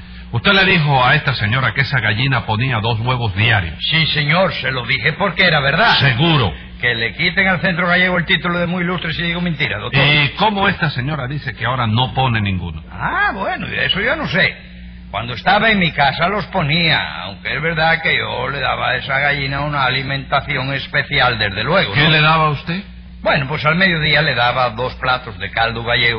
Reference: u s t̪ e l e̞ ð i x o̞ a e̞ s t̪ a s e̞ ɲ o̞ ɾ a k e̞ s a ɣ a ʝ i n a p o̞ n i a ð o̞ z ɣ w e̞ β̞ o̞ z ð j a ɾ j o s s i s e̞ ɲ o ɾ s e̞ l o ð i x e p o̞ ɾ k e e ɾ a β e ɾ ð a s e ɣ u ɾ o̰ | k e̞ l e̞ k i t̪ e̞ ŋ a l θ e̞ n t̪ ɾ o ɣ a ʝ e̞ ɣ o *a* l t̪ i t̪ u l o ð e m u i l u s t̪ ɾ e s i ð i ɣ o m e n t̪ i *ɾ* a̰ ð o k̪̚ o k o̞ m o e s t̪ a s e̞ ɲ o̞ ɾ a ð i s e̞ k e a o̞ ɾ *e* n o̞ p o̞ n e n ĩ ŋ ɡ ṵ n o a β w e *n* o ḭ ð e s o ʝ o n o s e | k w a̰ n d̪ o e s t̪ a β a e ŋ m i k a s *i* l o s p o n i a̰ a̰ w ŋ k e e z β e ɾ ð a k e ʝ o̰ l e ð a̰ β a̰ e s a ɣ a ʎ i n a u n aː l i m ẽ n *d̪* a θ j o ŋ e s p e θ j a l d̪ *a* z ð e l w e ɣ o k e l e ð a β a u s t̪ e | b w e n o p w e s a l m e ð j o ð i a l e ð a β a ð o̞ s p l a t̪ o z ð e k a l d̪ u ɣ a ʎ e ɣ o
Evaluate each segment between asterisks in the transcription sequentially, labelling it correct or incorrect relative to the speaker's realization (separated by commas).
incorrect, correct, incorrect, correct, incorrect, incorrect, incorrect